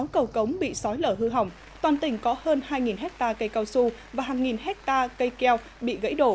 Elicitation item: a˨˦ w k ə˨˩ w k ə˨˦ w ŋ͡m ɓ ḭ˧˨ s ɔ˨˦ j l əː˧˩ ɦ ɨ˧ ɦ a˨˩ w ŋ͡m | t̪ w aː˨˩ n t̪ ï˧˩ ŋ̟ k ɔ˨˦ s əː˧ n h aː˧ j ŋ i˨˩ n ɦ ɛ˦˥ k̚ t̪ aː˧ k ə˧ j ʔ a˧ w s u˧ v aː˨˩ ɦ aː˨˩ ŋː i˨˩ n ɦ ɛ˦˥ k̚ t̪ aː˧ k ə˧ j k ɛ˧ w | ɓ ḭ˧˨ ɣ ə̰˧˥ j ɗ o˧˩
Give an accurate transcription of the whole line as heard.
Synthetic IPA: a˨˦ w k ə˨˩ w k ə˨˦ w ŋ͡m ɓ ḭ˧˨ s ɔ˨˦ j l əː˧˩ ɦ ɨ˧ ɦ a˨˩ w ŋ͡m | t̪ w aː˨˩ n t̪ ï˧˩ ŋ̟ k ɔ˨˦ h əː˧ n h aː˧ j ŋ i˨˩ n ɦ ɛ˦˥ k̚ t̪ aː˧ k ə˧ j k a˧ w s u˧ v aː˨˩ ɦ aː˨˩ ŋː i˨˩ n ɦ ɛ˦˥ k̚ t̪ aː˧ k ə˧ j k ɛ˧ w | ɓ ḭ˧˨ ɣ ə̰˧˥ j ɗ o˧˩

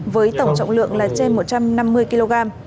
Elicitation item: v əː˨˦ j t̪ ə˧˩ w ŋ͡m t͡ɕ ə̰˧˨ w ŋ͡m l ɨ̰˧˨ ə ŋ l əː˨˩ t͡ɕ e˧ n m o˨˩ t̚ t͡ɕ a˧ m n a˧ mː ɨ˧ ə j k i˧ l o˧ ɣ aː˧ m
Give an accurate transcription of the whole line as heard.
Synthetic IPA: v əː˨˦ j t̪ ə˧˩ w ŋ͡m t͡ɕ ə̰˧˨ w ŋ͡m l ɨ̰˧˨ ə ŋ l aː˨˩ t͡ɕ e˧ n m o˨˩ t̚ t͡ɕ a˧ m n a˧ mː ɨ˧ ə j k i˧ l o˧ ɣ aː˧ m

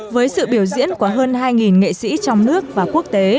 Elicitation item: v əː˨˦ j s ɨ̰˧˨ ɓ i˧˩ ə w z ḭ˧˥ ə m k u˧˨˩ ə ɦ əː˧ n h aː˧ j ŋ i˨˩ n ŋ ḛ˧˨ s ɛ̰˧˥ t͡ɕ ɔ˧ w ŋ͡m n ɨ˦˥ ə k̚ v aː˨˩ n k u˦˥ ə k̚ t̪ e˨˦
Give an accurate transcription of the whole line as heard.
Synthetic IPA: v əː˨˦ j s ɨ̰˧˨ ɓ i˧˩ ə w z ḭ˧˥ ə n k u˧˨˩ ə ɦ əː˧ n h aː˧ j ŋ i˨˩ n ŋ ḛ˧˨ s ḭ˧˥ t͡ɕ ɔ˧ w ŋ͡m n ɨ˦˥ ə k̚ v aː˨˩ k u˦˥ ə k̚ t̪ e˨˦

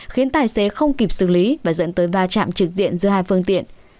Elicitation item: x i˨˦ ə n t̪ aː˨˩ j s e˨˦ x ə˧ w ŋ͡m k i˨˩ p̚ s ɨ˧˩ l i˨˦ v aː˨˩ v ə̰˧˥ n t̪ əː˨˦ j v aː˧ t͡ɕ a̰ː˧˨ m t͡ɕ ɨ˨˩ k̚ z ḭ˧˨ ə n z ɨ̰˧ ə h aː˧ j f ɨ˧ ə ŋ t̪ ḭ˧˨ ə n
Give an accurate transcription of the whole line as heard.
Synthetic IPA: x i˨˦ ə n t̪ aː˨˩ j s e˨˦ x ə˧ w ŋ͡m k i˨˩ p̚ s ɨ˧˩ l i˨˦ v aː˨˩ z ə̰˧˥ n t̪ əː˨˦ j v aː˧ t͡ɕ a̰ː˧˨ m t͡ɕ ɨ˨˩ k̚ z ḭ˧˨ ə n z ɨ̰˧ ə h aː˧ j f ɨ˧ ə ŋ t̪ ḭ˧˨ ə n

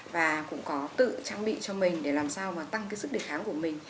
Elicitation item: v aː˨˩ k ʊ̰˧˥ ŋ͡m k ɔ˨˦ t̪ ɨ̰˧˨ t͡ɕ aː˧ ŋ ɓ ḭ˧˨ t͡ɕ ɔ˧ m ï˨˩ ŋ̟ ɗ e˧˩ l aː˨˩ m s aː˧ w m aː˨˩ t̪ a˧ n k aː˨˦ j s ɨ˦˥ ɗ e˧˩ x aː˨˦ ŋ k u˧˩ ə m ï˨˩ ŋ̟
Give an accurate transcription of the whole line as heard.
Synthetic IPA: v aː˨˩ k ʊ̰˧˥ ŋ͡m k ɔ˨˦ t̪ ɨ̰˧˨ t͡ɕ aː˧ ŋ ɓ ḭ˧˨ t͡ɕ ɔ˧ m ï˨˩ ŋ̟ ɗ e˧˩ l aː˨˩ m s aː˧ w m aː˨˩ t̪ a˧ ŋ k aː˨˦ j s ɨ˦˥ ɗ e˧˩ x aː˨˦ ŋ k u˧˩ ə m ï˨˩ ŋ̟

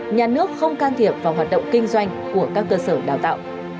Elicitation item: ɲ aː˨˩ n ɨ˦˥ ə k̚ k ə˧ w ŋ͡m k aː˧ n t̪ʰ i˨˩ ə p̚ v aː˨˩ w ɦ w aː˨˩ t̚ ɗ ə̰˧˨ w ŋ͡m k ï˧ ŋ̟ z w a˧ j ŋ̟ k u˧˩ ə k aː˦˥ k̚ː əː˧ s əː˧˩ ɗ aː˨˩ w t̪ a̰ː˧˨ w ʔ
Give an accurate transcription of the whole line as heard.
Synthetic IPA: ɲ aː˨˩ n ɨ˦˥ ə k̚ x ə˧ w ŋ͡m k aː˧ n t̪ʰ i˨˩ ə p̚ v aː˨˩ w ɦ w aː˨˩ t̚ ɗ ə̰˧˨ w ŋ͡m k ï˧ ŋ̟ z w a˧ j ŋ̟ k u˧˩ ə k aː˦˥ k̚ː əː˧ s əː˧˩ ɗ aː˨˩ w t̪ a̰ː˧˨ w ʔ

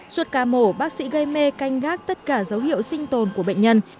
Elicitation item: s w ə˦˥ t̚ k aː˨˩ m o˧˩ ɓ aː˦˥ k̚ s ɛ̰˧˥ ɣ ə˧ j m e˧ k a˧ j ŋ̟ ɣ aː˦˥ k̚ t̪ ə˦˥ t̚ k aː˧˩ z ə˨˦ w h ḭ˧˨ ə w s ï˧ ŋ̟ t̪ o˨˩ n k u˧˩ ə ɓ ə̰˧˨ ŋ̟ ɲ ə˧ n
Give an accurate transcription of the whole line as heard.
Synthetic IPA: s w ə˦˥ t̚ k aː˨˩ m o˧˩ ɓ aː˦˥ k̚ s ḭ˧˥ ɣ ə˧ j m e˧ k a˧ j ŋ̟ ɣ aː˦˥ k̚ t̪ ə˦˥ t̚ k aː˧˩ z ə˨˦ w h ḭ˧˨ ə w s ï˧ ŋ̟ t̪ o˨˩ n k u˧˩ ə ɓ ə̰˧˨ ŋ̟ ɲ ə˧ n

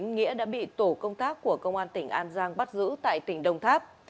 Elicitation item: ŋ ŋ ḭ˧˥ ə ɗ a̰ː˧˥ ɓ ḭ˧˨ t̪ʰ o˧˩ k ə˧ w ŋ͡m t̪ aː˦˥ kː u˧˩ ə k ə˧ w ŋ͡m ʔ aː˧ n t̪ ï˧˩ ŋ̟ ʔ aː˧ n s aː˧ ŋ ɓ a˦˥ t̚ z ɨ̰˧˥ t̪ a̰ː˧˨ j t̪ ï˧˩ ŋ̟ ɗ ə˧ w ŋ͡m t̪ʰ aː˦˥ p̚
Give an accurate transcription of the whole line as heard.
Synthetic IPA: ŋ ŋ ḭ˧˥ ə ɗ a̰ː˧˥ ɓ ḭ˧˨ t̪ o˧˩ k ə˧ w ŋ͡m t̪ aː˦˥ kː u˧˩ ə k ə˧ w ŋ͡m ʔ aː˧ n t̪ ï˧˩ ŋ̟ ʔ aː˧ n z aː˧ ŋ ɓ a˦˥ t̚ z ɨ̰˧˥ t̪ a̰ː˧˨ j t̪ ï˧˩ ŋ̟ ɗ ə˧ w ŋ͡m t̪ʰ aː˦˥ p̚

